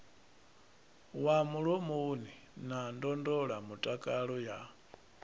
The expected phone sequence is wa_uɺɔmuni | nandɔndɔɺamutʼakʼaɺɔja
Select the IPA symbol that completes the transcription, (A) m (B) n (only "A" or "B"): A